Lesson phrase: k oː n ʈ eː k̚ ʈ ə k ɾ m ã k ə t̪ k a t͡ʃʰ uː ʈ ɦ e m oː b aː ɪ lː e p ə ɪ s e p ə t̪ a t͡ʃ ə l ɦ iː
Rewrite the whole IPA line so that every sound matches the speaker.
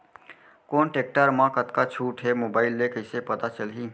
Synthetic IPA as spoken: k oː n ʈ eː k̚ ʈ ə ɾ m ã k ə t̪ k a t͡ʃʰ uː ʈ ɦ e m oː b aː ɪ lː e k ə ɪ s e p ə t̪ a t͡ʃ ə l ɦ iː